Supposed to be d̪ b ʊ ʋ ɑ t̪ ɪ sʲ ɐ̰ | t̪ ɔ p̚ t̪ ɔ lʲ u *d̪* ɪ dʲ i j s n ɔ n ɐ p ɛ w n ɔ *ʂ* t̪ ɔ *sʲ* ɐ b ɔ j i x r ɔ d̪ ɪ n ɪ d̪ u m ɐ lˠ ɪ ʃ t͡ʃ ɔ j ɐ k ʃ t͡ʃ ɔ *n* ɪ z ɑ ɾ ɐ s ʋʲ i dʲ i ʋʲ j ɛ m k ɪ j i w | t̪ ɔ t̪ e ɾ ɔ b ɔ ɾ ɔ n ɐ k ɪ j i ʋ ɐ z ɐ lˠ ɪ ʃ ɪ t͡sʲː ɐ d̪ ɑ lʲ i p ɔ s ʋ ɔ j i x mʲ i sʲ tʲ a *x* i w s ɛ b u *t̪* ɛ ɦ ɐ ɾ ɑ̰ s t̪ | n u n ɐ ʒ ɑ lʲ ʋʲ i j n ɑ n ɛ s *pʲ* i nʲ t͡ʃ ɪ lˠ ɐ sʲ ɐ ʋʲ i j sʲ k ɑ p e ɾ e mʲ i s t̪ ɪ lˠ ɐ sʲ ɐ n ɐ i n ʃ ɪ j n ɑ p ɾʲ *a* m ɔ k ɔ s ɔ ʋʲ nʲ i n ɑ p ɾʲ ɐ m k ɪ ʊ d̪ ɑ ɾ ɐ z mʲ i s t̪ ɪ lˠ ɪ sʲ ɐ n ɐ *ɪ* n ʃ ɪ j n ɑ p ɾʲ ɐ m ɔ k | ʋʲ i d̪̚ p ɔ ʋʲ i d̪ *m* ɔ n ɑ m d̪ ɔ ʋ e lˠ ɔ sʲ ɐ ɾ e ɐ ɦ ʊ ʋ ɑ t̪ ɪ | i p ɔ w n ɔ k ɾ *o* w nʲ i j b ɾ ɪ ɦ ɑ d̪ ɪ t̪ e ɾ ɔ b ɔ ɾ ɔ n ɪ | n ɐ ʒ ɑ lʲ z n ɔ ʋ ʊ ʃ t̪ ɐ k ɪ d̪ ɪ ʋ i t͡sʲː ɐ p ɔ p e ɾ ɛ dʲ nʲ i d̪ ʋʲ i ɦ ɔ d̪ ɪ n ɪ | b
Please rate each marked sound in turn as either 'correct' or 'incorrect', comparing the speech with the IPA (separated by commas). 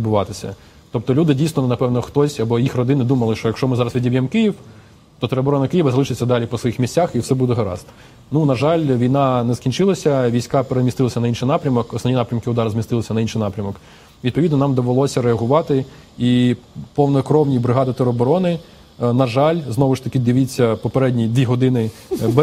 correct, incorrect, correct, incorrect, correct, incorrect, incorrect, incorrect, incorrect, incorrect, incorrect